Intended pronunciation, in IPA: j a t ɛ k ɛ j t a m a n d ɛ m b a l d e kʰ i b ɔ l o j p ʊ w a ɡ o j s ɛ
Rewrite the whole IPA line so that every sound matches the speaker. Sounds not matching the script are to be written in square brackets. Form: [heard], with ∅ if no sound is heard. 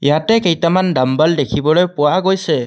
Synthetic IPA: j a t ɛ k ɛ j t a m a n d [a] m b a l d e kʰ i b ɔ l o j p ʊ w a ɡ o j s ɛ